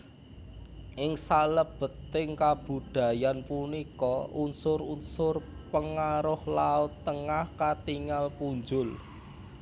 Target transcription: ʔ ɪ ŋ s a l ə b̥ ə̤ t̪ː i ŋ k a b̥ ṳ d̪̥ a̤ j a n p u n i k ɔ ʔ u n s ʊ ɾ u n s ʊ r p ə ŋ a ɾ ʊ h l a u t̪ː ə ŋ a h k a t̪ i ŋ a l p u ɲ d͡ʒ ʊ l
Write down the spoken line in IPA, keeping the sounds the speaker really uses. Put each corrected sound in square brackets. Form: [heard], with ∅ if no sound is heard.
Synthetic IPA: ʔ ɪ ŋ s a l ə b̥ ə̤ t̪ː [ɪ] ŋ k a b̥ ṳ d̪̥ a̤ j a n p u n i k ɔ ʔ u n s ʊ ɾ u n s ʊ r p ə ŋ a ɾ ʊ h l a [ʊ] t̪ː ə ŋ a h k a t̪ i ŋ a l p u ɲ d͡ʒ ʊ l

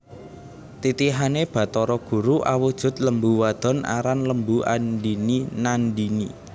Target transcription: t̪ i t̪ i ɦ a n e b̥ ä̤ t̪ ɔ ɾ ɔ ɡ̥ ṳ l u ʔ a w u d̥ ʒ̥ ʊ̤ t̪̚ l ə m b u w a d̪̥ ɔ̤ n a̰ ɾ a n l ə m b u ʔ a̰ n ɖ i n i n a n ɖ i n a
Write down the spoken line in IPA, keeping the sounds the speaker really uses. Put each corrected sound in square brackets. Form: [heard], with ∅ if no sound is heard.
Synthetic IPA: t̪ i t̪ i ɦ a n e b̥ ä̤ t̪ ɔ ɾ ɔ ɡ̥ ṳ [ɾ] u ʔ a w u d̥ ʒ̥ ʊ̤ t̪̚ l ə m b u w a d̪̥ ɔ̤ n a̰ ɾ a n l ə m b u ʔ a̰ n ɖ i n i n a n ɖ i n [i]

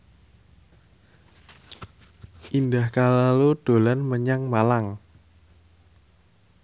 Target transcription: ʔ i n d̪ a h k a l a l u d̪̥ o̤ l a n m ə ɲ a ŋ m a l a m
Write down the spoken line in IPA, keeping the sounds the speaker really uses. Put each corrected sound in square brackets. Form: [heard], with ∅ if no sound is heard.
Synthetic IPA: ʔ i n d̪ a h k a l a l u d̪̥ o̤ l a n m ə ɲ a ŋ m a l a [ŋ]

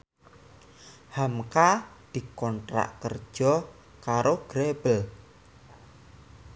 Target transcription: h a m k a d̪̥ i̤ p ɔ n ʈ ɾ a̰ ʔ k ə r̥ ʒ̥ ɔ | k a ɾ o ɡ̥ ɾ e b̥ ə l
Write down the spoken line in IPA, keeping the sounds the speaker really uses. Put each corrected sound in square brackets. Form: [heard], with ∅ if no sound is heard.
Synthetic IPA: h a m k a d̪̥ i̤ [k] ɔ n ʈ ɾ a̰ ʔ k ə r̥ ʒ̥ ɔ | k a ɾ o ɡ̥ ɾ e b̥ ə l

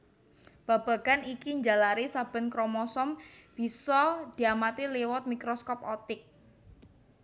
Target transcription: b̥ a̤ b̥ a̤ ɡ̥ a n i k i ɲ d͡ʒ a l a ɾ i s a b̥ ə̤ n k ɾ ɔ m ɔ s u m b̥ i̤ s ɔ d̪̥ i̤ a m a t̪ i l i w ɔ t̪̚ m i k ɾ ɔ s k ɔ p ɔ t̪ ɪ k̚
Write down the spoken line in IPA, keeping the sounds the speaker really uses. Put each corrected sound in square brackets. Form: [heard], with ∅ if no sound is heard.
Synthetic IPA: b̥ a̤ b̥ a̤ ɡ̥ a n i k i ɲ d͡ʒ a l a ɾ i s a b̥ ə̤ n k ɾ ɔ m ɔ s [ɔ] m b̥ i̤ s ɔ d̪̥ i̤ a m a t̪ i l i w ɔ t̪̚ m i k ɾ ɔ s k ɔ p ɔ t̪ ɪ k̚

